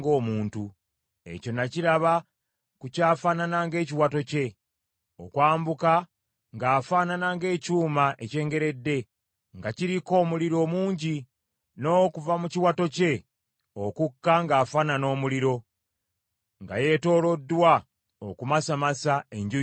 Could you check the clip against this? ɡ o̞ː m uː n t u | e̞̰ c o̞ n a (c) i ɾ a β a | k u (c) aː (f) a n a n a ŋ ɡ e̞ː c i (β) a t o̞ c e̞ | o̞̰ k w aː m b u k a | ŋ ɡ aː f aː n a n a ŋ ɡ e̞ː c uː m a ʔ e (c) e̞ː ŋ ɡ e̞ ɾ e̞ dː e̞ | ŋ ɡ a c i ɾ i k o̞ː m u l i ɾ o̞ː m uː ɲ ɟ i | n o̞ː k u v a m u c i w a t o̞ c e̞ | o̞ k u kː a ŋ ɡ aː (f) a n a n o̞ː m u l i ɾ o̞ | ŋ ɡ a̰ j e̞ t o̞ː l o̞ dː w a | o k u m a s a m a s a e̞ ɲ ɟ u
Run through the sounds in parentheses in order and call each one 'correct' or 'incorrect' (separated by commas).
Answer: correct, correct, correct, incorrect, correct, correct